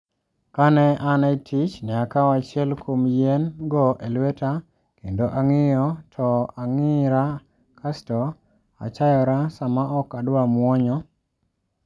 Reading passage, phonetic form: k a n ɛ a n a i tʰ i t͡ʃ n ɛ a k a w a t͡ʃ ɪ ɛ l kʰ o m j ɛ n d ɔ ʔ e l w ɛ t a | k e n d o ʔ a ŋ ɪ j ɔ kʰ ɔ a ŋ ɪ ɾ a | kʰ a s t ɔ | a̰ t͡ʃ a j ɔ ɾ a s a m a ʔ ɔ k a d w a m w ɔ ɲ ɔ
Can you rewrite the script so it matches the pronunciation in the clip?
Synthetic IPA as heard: k a n ɛ a n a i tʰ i t͡ʃ n ɛ a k a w a t͡ʃ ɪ ɛ l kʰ o m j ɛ n ɡ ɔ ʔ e l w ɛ t a | k e n d o ʔ a ŋ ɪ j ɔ tʰ ɔ a ŋ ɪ ɾ a | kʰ a s t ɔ | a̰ t͡ʃ a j ɔ ɾ a s a m a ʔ ɔ k a d w a m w ɔ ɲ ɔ